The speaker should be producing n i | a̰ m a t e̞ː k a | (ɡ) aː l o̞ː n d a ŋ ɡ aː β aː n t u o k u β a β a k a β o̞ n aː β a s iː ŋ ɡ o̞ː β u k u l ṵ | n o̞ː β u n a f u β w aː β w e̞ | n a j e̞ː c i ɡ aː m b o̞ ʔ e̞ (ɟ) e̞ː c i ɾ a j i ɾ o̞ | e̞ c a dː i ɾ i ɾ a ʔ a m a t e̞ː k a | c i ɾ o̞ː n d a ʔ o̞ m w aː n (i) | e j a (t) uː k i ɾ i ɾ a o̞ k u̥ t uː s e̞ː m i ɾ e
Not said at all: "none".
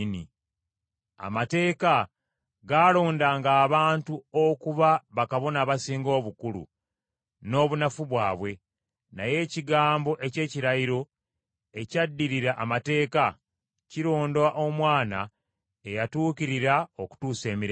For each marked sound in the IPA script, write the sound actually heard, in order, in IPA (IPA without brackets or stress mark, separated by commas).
ɡ, c, a, t